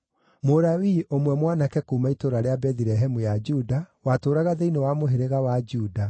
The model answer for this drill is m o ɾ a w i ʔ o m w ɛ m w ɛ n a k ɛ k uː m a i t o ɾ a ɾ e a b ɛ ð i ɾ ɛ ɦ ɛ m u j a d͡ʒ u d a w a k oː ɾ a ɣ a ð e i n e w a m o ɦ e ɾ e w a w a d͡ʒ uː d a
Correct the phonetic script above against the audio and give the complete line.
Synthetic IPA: m o ɾ a w i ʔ o m w ɛ m w a n a k ɛ k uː m a i t o ɾ a ɾ e a b ɛ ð i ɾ ɛ ɦ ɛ m u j a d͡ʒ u d a w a t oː ɾ a ɣ a ð e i n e w a m o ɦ e ɾ e ɣ a w a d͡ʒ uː d a